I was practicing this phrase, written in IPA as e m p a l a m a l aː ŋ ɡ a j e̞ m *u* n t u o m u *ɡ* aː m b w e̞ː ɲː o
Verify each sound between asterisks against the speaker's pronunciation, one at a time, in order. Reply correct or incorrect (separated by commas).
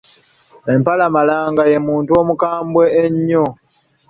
incorrect, incorrect